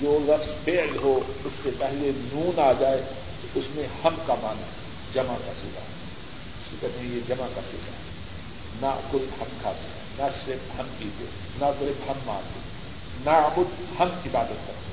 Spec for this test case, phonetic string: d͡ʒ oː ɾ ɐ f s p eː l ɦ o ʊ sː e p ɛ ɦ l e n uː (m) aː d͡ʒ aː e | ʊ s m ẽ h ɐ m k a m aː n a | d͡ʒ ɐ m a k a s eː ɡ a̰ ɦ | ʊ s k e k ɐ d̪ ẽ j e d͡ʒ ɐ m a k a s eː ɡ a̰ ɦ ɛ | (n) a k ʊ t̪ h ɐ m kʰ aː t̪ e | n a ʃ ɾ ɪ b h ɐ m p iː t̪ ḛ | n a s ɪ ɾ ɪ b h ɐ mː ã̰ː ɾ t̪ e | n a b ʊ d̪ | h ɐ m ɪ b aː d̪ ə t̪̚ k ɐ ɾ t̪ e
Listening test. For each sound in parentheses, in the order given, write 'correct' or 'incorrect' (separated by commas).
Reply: incorrect, correct